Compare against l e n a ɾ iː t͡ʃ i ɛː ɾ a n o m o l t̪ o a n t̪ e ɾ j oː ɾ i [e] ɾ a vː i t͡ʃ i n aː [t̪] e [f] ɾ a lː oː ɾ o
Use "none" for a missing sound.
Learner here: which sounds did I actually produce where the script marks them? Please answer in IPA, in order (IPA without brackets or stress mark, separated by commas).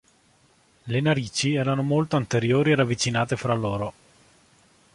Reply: e, t̪, f